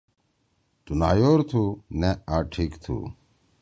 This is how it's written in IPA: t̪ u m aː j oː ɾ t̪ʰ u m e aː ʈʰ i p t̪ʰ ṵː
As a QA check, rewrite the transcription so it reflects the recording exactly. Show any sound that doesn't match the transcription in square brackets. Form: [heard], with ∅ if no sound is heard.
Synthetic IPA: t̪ u [n] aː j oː ɾ t̪ʰ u [n] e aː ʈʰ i [k] t̪ʰ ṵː